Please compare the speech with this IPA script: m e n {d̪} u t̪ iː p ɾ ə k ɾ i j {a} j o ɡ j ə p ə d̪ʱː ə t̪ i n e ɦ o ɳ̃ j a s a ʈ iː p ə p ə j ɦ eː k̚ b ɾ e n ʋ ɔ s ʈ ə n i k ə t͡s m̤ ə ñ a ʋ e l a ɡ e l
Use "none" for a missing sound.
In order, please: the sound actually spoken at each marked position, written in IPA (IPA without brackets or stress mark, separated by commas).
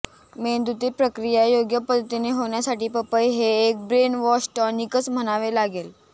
d̪, a